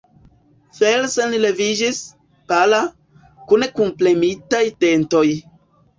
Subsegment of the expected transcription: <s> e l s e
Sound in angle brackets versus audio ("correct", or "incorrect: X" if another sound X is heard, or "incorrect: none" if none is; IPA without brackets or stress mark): incorrect: f